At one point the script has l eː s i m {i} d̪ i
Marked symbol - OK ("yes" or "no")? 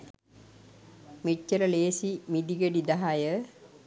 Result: yes